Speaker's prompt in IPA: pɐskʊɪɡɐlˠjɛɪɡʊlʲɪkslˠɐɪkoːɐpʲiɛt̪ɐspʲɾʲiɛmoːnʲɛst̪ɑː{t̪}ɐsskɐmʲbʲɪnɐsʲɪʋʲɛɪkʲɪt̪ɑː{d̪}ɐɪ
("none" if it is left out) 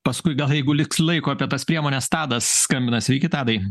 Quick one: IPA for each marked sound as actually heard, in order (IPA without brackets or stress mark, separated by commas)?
d̪, d̪